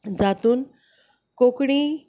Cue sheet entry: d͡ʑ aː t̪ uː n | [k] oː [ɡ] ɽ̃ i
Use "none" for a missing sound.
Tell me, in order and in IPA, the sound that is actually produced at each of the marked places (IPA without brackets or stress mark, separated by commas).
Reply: k, k